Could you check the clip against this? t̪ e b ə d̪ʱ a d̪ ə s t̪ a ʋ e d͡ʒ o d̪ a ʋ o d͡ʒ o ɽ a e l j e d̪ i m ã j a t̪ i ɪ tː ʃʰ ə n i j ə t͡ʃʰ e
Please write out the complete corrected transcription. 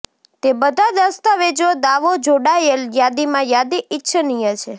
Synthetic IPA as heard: t̪ e b ə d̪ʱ a d̪ ə s t̪ a ʋ e d͡ʒ o d̪ a ʋ o d͡ʒ o ɽ a e l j a d̪ i m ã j a d̪ i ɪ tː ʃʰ ə n i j ə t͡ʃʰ e